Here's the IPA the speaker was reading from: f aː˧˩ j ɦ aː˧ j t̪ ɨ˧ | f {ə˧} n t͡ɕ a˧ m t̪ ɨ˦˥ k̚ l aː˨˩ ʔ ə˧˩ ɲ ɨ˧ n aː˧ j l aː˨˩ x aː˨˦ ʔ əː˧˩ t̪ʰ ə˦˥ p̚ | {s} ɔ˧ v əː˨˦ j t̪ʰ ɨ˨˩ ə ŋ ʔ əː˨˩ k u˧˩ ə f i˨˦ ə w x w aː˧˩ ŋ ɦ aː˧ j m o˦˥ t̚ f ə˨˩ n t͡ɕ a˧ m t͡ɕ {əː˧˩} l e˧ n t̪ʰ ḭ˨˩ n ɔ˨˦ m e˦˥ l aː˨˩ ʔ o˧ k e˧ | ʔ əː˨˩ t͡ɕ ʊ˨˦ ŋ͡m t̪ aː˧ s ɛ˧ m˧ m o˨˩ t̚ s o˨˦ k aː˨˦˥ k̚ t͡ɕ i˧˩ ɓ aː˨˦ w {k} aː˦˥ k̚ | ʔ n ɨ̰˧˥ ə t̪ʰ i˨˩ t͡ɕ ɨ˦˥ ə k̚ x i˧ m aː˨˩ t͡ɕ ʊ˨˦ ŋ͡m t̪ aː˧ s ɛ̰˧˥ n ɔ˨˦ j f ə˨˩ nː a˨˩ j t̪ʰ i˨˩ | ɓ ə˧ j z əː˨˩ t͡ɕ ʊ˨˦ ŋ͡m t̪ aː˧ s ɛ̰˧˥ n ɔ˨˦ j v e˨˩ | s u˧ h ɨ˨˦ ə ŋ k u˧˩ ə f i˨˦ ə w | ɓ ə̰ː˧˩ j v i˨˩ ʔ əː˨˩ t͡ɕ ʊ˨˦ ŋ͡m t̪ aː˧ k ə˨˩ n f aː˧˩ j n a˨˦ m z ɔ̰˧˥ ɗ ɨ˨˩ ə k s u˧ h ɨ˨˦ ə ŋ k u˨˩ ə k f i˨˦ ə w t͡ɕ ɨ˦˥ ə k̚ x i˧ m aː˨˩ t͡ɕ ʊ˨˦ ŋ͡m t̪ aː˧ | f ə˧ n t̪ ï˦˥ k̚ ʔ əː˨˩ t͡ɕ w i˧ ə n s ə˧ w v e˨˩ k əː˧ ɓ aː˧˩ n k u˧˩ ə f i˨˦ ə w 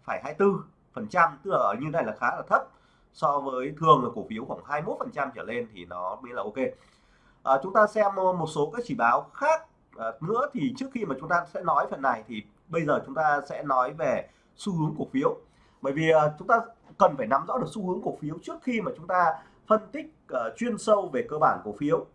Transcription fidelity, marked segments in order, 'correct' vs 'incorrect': incorrect: ə˨˩, correct, correct, incorrect: x

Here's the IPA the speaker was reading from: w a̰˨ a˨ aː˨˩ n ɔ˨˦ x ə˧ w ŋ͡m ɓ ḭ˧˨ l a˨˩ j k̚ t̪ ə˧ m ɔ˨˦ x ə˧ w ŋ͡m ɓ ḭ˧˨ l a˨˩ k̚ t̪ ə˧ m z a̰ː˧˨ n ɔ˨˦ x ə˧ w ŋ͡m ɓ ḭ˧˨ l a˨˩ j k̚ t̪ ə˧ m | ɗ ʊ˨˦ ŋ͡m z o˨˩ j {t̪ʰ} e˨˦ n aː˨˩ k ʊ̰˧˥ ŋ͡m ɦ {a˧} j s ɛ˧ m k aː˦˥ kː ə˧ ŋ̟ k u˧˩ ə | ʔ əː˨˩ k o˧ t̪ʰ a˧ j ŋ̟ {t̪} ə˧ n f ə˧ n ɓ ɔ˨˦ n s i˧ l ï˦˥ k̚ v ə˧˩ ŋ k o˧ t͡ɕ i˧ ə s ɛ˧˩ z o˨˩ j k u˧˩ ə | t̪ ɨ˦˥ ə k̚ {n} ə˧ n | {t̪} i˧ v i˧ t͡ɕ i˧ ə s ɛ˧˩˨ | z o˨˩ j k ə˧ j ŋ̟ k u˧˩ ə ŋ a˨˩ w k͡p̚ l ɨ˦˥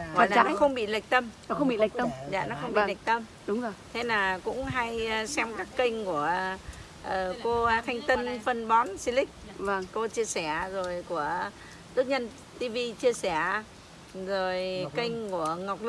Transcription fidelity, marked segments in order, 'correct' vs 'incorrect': correct, correct, correct, incorrect: ɲ, correct

